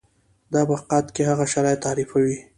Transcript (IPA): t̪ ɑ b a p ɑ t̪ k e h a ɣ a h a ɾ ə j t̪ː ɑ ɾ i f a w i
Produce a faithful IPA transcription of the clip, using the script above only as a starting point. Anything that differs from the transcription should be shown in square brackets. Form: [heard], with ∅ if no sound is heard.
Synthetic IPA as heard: [d̪] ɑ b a [q] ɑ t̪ k e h a ɣ a [ʃ] a ɾ [ɑ] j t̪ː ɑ ɾ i f a w i